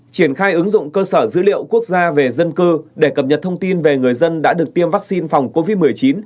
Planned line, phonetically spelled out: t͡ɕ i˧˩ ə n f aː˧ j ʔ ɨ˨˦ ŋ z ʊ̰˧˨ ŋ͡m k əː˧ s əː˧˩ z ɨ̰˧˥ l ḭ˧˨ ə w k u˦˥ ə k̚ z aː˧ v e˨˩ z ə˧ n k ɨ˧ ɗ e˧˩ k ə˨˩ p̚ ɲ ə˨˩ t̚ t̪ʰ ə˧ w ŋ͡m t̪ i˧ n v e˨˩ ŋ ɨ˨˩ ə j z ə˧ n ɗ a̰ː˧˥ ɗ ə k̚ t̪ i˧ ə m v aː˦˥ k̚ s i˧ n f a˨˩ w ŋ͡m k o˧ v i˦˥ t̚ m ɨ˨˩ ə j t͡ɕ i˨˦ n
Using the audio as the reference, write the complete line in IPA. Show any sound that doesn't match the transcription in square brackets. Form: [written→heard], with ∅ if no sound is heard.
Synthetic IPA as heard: t͡ɕ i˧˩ ə n [f→x] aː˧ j ʔ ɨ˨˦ ŋ z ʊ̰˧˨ ŋ͡m k əː˧ s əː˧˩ z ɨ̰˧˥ l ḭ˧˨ ə w k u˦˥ ə k̚ z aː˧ v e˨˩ z ə˧ n k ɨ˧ ɗ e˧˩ k ə˨˩ p̚ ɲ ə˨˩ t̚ t̪ʰ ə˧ w ŋ͡m t̪ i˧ n v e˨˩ ŋ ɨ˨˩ ə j z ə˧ n ɗ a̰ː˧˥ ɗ ə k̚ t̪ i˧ ə m v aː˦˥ k̚ s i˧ n f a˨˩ w ŋ͡m k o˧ v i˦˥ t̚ m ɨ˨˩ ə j t͡ɕ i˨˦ n